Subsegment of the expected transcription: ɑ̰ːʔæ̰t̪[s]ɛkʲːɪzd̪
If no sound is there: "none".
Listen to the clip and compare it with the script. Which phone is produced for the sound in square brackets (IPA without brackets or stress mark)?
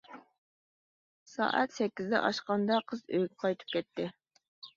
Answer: s